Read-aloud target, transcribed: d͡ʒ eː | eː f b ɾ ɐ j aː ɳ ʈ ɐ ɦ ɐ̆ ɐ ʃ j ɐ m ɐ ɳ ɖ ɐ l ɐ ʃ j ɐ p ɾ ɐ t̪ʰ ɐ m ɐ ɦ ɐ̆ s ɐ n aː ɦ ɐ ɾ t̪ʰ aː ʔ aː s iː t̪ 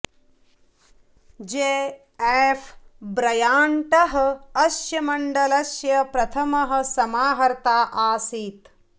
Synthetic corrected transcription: d͡ʒ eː | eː f b ɾ ɐ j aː ɳ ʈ ɐ ɦ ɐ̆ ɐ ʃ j ɐ m ɐ ɳ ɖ ɐ l ɐ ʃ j ɐ p ɾ ɐ t̪ʰ ɐ m ɐ ɦ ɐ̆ s ɐ m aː ɦ ɐ ɾ t̪ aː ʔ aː s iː t̪